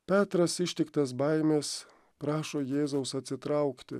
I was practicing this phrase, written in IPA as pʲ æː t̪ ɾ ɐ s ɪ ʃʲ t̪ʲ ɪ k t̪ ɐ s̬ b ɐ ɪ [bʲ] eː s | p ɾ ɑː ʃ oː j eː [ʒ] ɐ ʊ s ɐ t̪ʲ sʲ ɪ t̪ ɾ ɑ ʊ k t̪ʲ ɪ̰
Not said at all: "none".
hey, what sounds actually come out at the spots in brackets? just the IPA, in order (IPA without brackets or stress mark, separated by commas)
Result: mʲ, z